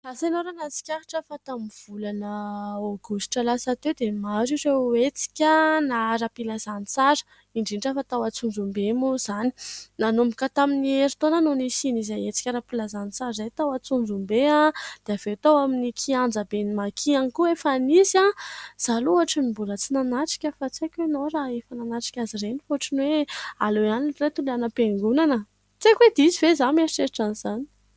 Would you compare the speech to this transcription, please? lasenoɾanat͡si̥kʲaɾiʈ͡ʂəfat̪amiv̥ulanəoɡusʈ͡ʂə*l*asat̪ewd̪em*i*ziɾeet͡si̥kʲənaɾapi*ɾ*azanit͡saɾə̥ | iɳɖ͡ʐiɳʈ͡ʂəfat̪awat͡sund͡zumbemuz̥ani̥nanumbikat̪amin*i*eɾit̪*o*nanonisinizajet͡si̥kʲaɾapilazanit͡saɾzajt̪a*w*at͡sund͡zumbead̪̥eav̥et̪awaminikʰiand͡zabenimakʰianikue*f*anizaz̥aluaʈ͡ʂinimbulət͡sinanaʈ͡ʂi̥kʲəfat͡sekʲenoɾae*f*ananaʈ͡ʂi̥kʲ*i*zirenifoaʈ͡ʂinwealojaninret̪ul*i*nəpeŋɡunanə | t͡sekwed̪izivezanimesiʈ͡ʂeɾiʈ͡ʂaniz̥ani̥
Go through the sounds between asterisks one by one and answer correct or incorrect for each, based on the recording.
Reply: correct, incorrect: a, incorrect: l, correct, correct, correct, correct, correct, incorrect: a, incorrect: a

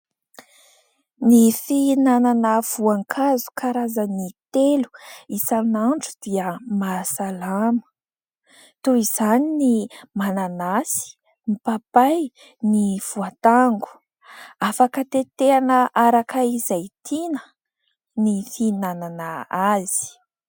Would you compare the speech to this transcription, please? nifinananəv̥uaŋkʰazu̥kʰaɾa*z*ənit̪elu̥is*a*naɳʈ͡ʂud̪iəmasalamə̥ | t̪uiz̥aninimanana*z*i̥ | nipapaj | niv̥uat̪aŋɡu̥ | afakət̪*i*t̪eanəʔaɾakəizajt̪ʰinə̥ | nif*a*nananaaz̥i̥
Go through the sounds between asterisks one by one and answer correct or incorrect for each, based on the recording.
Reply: correct, correct, incorrect: s, incorrect: e, incorrect: i

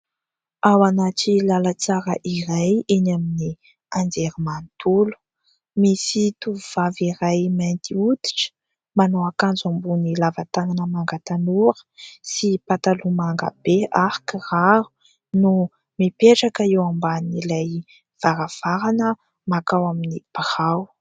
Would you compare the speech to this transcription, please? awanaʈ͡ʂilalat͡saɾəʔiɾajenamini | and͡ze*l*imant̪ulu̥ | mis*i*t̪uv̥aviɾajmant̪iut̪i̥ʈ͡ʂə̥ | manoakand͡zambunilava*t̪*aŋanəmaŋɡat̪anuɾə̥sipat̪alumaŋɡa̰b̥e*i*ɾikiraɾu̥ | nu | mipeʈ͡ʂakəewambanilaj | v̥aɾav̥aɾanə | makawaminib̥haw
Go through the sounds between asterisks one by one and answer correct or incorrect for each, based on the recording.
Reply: incorrect: ɾ, correct, correct, incorrect: a

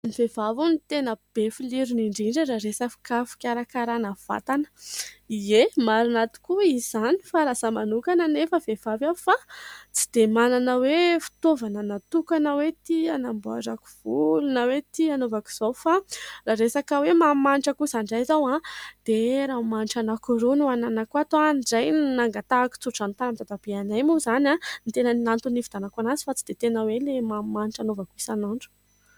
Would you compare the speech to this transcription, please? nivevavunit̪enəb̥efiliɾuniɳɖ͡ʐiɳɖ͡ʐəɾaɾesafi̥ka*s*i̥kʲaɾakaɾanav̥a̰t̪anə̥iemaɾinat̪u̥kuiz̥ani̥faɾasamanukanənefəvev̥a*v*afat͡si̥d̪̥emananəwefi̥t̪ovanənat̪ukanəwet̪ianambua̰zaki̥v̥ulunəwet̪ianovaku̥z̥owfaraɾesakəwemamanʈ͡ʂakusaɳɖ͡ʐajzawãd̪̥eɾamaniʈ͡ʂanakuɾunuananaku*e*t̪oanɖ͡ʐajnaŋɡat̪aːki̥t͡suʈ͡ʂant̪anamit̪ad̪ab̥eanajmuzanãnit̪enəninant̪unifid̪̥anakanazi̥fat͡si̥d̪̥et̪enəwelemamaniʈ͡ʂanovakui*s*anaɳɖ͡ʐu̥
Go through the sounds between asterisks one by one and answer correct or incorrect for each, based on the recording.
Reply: incorrect: f, correct, incorrect: a, correct

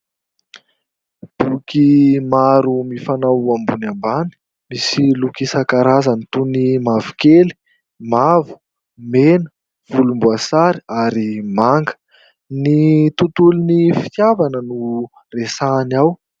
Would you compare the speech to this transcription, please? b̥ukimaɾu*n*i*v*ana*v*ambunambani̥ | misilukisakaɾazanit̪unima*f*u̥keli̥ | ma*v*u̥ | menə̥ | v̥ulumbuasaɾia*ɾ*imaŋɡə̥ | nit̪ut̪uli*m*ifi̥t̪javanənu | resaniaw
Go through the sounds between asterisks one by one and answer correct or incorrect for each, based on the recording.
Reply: incorrect: m, incorrect: f, incorrect: w, incorrect: v, correct, correct, incorrect: n

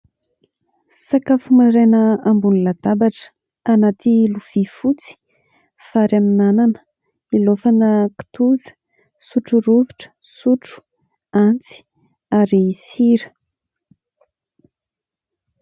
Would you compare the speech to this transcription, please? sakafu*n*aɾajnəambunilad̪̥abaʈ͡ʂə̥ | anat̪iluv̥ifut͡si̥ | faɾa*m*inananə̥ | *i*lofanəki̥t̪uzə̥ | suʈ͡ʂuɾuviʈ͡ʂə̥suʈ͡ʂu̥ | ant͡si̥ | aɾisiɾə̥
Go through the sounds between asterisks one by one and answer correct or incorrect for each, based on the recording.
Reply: incorrect: m, correct, correct

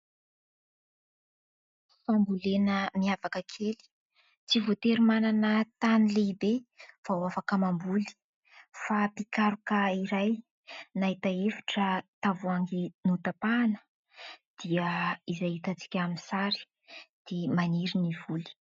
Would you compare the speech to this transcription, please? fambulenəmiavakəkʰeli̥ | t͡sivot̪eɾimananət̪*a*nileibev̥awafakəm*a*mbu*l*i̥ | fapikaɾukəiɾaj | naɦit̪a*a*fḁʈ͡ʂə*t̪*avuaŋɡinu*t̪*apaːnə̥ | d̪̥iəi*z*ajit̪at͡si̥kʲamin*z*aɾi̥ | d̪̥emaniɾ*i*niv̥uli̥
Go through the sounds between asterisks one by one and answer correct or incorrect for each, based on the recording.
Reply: correct, correct, correct, incorrect: e, correct, correct, correct, incorrect: s, correct

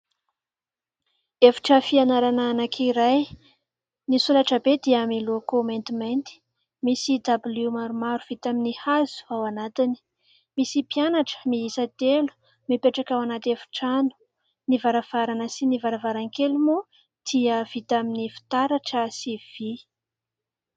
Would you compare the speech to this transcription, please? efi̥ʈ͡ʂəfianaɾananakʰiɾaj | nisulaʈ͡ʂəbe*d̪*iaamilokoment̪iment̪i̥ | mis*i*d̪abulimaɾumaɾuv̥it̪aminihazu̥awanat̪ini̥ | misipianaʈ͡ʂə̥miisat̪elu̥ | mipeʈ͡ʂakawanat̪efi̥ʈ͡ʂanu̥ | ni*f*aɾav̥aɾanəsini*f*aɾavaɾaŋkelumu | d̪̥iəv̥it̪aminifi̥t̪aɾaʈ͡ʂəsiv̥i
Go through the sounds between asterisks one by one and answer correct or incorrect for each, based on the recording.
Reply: correct, correct, incorrect: v, incorrect: v

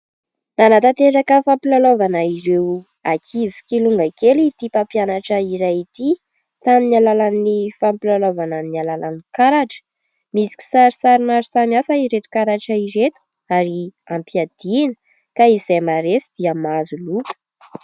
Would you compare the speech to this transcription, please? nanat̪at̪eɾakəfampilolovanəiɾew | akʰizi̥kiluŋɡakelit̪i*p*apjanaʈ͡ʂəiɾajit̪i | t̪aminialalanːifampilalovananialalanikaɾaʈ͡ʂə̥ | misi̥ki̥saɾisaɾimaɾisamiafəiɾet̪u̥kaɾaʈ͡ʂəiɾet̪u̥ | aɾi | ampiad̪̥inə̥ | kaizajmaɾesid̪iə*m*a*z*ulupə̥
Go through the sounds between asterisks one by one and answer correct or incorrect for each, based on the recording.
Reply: correct, correct, correct

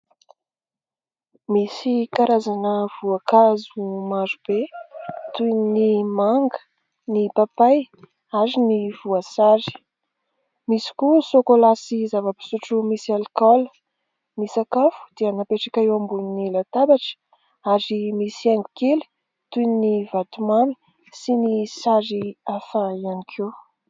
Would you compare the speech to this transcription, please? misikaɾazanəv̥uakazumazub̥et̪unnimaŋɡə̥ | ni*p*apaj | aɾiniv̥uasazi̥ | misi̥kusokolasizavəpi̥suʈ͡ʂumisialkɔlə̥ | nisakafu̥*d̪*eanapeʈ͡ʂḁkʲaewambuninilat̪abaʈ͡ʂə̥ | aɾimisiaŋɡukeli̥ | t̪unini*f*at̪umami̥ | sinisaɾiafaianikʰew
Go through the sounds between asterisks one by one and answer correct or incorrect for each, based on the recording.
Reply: correct, correct, incorrect: v

